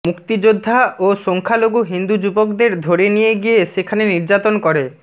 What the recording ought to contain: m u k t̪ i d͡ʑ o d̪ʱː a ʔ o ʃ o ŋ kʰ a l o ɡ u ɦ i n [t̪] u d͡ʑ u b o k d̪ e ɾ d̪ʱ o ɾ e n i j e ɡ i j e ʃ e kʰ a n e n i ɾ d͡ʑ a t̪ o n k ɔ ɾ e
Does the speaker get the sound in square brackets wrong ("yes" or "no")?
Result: yes